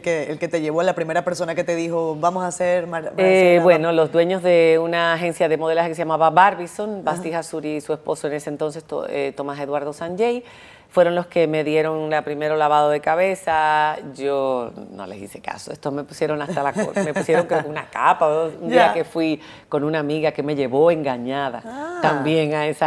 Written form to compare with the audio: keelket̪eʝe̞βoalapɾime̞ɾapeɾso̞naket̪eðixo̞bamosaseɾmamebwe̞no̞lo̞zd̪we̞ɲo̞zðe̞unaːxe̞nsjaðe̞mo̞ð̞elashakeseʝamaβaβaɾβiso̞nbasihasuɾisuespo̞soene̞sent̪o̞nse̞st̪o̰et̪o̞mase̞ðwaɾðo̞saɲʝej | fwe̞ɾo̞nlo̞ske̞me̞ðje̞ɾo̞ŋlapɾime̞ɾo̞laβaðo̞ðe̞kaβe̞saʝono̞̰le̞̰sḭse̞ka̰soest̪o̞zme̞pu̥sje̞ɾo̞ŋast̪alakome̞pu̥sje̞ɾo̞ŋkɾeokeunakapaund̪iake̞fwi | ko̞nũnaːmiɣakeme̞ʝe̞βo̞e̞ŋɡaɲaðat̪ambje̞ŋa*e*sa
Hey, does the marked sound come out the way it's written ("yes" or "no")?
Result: yes